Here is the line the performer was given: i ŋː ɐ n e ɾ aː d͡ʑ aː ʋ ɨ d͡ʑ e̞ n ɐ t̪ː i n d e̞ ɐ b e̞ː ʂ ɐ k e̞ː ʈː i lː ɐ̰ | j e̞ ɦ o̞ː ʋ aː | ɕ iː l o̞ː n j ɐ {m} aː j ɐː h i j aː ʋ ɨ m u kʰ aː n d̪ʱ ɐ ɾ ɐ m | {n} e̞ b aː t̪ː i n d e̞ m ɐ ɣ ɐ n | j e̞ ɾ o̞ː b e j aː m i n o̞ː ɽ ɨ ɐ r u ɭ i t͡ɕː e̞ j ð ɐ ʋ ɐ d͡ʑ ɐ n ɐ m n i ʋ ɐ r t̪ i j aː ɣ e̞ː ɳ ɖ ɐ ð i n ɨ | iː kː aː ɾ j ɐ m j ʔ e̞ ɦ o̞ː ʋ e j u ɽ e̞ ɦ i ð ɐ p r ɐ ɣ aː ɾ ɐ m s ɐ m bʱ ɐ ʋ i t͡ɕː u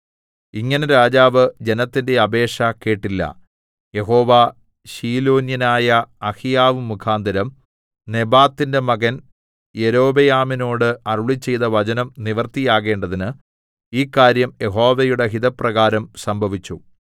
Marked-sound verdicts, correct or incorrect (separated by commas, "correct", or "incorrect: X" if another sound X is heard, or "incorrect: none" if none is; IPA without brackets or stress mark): incorrect: n, correct